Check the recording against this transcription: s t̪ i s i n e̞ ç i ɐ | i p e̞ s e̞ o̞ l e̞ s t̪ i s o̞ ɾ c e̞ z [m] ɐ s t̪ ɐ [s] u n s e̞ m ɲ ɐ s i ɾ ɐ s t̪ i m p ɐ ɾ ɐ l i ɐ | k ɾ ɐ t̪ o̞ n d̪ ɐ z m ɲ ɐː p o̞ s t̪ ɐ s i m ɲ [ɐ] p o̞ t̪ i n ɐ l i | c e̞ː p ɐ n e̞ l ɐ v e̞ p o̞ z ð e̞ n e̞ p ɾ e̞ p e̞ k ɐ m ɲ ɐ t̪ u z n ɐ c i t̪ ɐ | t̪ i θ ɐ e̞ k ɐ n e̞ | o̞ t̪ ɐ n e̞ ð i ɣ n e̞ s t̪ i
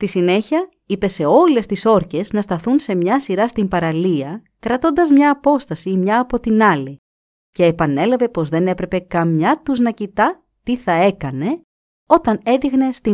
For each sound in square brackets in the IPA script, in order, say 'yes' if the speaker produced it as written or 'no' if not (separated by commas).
no, no, no